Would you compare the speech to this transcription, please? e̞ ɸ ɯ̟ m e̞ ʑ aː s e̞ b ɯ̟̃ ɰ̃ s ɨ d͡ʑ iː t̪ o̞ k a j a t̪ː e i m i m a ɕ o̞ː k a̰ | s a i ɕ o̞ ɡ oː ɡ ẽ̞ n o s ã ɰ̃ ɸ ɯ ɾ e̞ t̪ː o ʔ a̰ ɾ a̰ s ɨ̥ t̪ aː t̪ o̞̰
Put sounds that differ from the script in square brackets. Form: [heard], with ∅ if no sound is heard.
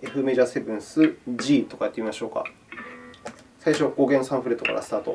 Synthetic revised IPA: e̞ ɸ ɯ̟ m e̞ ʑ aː s e̞ b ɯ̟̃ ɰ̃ s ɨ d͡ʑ iː t̪ o̞ k a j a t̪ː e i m i m a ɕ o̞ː k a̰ | s a i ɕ o̞ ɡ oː ɡ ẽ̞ n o s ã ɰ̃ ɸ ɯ ɾ e̞ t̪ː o [k] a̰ ɾ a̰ s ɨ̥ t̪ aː t̪ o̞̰